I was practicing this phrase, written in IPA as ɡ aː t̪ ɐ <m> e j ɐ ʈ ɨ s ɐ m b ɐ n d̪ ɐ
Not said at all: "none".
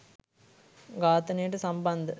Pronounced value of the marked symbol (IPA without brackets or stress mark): n